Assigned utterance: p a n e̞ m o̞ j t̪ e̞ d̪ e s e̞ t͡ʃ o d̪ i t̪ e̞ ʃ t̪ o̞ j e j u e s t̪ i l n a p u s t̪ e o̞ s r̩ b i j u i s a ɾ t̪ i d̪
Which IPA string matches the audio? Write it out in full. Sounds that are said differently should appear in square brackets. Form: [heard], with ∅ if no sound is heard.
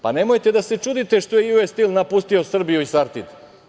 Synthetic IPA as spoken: p a n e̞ m o̞ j t̪ e̞ d̪ [a] s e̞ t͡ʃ [u] d̪ i t̪ e̞ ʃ t̪ o̞ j e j u e s t̪ i l n a p u s t̪ [i] o̞ s r̩ b i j u i s a ɾ t̪ i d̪